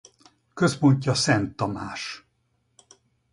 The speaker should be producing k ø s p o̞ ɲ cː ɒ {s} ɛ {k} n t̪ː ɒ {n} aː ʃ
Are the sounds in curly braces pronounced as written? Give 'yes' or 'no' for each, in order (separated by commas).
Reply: yes, no, no